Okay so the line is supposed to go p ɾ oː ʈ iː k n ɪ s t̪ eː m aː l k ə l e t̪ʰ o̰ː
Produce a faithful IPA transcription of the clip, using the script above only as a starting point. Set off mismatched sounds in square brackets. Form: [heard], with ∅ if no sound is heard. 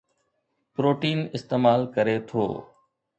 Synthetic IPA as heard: p ɾ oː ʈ iː [∅] n ɪ s t̪ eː m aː l k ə [ɾ] e t̪ʰ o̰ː

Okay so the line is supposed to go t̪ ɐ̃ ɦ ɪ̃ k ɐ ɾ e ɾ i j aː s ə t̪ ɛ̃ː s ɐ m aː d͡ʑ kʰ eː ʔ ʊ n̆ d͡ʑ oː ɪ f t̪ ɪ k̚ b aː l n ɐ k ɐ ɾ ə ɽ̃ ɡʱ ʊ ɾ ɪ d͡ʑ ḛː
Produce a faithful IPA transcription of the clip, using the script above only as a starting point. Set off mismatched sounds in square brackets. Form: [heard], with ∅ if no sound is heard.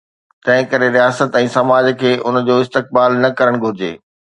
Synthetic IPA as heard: t̪ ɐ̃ ɦ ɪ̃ k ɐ ɾ e ɾ i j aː s ə t̪ ɛ̃ː s ɐ m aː d͡ʑ kʰ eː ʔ ʊ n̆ d͡ʑ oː ɪ [s] t̪ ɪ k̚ b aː l n ɐ k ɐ ɾ ə ɽ̃ ɡʱ ʊ ɾ ɪ d͡ʑ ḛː

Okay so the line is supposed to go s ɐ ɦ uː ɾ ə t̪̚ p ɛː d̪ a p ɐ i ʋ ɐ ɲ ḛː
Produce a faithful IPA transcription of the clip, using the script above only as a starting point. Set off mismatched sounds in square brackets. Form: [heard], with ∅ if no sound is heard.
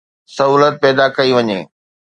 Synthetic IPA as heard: s ɐ ɦ uː [l] ə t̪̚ p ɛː d̪ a [k] ɐ i ʋ ɐ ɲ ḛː

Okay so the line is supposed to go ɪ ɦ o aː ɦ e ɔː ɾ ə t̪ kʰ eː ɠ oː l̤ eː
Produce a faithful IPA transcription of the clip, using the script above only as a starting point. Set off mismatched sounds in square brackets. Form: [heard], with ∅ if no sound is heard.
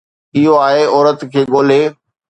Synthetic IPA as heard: ɪ ɦ o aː ɦ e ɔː ɾ ə t̪ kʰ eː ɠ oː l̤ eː

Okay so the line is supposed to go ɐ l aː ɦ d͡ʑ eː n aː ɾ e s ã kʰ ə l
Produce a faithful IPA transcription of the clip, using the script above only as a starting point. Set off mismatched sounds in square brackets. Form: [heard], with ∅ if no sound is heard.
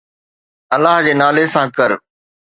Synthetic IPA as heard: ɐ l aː ɦ d͡ʑ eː n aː [l] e s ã [k] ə [ɾ]

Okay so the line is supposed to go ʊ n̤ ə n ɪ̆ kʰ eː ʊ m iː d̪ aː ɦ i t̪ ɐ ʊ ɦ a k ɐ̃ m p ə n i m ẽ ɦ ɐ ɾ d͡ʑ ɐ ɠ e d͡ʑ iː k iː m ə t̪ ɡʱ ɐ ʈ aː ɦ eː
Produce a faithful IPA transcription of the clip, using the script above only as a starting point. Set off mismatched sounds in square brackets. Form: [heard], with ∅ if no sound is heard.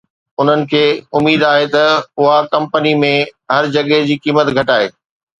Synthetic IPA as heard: ʊ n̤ ə n ɪ̆ kʰ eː ʊ m iː d̪ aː ɦ [e] t̪ ɐ ʊ ɦ a k ɐ̃ m p ə n i m ẽ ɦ ɐ ɾ d͡ʑ ɐ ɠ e d͡ʑ iː k iː m ə t̪ ɡʱ ɐ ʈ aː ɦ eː

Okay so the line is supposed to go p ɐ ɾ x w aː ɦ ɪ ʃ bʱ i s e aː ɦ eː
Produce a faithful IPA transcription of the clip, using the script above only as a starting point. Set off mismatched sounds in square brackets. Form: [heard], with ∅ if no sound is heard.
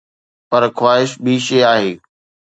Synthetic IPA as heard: p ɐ ɾ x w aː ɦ ɪ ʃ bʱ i [ʃ] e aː ɦ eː

